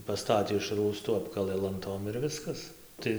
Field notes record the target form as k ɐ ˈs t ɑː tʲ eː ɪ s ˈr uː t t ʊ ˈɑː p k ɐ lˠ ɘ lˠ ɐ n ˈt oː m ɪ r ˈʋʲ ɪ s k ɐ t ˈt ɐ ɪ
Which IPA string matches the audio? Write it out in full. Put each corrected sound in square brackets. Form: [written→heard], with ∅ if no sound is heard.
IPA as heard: [k→p] ɐ ˈs t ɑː tʲ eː ɪ [s→ʃ] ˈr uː [t→s] t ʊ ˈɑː p k ɐ lˠ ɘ lˠ ɐ n ˈt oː m ɪ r ˈʋʲ ɪ s k ɐ [t→s] ˈt ɐ ɪ